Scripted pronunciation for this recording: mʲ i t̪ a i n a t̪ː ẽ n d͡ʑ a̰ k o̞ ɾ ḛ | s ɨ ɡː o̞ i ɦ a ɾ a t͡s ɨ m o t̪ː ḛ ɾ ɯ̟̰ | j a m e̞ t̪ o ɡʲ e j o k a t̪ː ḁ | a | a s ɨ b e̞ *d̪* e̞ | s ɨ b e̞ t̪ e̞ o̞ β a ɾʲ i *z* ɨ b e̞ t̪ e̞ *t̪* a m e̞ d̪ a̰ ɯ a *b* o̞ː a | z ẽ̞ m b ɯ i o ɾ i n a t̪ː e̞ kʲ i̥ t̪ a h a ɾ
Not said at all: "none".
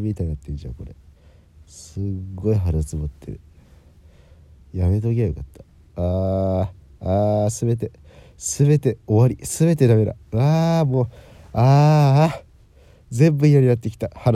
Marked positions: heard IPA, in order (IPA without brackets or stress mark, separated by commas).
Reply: t̪, s, d̪, m